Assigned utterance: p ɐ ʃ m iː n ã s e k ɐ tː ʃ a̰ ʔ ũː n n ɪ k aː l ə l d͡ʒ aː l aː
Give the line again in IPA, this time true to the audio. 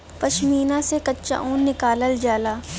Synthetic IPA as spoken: p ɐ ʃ m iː n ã s e k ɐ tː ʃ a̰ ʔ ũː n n ɪ k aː l ə l d͡ʒ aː l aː